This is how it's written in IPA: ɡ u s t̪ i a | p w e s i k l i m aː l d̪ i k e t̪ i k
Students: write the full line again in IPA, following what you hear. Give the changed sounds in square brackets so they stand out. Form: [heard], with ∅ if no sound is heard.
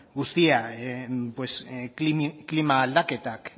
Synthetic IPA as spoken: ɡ u s t̪ i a | p w e s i k l i m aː l d̪ [a] k e t̪ [a] k